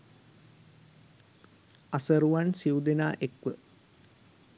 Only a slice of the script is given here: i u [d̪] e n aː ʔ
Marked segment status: correct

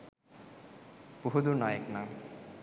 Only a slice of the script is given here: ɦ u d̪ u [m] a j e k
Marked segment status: incorrect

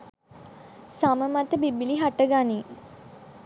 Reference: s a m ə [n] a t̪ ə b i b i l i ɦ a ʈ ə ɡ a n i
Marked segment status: incorrect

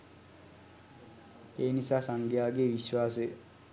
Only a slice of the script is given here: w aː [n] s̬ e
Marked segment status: incorrect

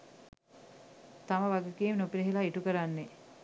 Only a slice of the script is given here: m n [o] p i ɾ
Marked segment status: correct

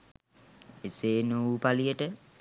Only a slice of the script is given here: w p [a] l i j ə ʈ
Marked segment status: correct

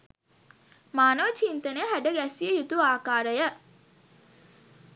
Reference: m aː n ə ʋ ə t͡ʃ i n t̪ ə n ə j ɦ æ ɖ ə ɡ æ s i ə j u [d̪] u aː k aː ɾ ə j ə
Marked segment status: incorrect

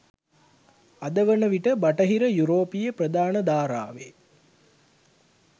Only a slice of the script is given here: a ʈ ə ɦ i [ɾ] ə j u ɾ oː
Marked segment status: correct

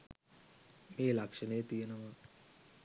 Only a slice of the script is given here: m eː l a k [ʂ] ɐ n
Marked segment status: correct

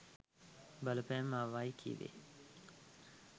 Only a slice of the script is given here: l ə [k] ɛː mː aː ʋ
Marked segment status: incorrect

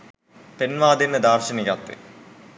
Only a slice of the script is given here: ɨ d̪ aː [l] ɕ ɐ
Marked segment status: incorrect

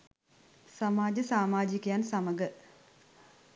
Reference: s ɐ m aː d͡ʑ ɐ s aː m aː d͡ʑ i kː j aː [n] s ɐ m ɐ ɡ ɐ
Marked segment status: correct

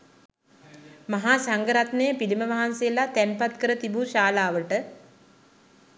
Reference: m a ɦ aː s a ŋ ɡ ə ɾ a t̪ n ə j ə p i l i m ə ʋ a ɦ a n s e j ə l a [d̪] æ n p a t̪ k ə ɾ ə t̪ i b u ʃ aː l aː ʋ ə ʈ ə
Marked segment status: incorrect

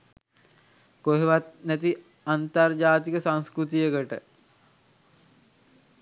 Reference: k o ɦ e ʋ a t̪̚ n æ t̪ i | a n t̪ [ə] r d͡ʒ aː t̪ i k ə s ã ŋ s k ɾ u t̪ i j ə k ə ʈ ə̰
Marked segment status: incorrect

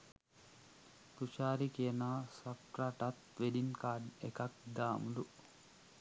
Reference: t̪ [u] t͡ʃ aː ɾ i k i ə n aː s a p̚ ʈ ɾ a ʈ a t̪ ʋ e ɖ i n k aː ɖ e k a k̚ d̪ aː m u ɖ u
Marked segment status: correct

